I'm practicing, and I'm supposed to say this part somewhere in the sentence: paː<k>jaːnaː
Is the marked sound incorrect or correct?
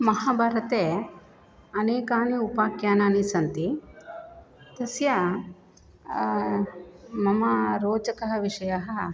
correct